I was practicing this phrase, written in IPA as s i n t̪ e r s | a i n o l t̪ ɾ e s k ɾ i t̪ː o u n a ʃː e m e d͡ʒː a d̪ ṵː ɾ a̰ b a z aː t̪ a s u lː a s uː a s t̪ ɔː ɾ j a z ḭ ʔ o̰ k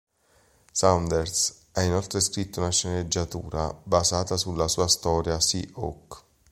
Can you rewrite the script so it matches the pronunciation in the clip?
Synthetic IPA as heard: s a n d̪ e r s | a i n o l t̪ ɾ e s k ɾ i t̪ː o u n a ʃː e n e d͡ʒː a t̪ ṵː ɾ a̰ b a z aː t̪ a s u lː a s uː a s t̪ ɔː ɾ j a s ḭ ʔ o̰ k